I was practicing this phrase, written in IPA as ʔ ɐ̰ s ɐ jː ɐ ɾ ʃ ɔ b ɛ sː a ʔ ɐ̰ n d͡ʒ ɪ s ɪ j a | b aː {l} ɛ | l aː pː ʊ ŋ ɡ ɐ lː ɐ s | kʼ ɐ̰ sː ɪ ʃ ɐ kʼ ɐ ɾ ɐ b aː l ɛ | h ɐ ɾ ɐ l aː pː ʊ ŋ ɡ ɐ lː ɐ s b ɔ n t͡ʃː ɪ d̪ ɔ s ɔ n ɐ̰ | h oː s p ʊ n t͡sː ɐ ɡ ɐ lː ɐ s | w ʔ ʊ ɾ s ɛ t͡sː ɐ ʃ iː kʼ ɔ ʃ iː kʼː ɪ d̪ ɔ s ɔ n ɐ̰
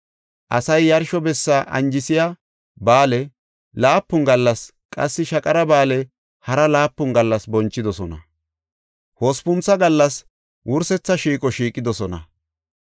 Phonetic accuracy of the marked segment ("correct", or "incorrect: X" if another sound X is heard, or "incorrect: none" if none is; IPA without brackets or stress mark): correct